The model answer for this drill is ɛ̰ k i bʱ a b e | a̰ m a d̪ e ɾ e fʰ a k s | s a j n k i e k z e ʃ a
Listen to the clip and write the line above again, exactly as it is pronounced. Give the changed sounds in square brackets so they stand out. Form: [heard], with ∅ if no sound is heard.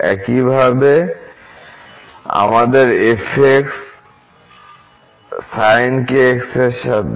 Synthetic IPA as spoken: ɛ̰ k i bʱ a b e | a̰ m a d̪ e ɾ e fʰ [e] k s | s a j n k [e] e k [s] e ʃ a